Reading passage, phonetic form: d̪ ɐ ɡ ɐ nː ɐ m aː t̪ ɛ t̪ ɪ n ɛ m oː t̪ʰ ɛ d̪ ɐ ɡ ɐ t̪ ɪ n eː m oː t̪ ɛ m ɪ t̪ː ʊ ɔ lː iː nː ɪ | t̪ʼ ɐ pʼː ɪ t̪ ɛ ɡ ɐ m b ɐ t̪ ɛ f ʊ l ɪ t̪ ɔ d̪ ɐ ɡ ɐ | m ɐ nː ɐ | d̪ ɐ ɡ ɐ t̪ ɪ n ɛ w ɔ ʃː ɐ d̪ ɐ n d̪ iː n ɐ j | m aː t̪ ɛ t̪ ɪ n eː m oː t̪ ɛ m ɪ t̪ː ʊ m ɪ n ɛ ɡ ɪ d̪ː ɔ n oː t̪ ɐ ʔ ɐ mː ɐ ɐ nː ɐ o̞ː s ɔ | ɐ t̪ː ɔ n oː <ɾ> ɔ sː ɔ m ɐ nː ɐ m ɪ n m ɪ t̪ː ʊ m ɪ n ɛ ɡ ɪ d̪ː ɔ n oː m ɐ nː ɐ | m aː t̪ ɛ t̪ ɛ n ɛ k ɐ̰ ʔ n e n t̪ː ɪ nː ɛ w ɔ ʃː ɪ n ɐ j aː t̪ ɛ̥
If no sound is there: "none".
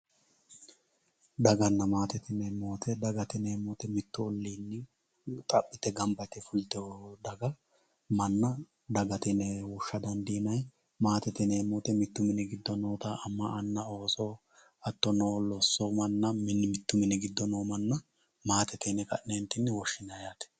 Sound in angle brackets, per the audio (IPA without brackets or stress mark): l